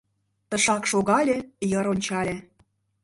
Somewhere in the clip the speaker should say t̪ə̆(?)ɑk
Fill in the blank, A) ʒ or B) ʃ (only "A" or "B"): B